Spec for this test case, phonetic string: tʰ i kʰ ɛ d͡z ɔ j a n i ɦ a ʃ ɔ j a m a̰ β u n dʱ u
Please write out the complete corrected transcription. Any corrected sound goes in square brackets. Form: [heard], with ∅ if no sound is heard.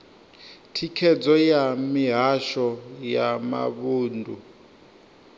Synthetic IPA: tʰ i kʰ ɛ d͡z ɔ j a [m] i ɦ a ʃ ɔ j a m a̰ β [uː] n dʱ u